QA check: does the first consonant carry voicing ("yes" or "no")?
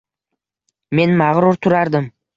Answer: yes